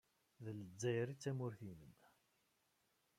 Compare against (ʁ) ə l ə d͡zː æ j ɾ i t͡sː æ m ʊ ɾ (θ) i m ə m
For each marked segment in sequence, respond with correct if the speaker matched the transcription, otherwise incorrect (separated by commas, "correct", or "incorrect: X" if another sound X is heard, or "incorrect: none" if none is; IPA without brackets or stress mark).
incorrect: ð, correct